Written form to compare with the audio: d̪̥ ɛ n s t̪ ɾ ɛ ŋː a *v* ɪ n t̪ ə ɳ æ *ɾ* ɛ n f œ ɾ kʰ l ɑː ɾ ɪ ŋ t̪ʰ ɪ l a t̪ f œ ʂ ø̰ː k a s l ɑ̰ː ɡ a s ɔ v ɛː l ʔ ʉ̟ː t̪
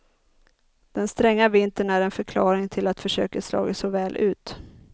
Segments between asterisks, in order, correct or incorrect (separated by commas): correct, correct